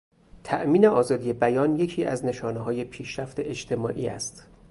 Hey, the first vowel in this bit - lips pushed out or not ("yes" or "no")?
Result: no